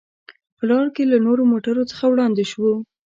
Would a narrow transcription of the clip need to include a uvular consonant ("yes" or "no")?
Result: no